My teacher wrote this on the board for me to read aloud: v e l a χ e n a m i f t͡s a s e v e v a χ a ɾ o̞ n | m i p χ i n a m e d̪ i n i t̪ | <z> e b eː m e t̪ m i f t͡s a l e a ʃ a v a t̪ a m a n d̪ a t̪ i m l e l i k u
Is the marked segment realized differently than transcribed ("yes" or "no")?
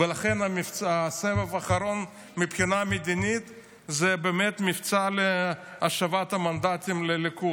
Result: no